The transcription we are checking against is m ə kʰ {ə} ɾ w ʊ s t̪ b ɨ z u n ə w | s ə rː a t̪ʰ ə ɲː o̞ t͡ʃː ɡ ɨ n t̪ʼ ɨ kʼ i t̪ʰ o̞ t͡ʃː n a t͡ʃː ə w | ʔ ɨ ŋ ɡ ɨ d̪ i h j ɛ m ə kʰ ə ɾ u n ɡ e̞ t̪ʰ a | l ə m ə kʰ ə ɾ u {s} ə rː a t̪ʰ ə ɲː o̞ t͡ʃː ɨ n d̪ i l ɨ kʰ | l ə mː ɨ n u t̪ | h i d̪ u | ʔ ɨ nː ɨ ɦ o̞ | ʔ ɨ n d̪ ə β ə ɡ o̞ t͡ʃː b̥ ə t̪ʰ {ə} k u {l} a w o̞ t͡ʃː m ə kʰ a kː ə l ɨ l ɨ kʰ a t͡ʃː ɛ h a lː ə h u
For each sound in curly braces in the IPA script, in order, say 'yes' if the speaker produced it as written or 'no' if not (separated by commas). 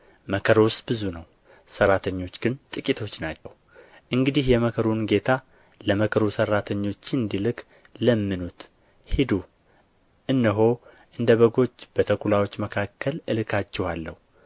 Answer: yes, yes, yes, yes